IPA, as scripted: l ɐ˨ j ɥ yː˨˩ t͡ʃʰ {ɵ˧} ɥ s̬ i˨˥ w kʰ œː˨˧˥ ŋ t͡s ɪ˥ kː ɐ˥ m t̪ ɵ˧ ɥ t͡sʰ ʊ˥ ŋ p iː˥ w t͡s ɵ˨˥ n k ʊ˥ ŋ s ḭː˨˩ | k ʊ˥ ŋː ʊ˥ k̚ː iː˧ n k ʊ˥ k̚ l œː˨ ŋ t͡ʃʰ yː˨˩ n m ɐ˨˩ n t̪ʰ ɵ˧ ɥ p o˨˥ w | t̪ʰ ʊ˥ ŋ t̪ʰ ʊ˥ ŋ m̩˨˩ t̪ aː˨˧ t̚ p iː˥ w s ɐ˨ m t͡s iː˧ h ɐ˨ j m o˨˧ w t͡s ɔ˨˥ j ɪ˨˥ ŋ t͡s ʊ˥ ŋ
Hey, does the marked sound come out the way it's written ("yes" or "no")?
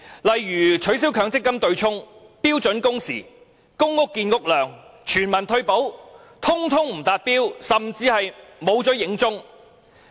no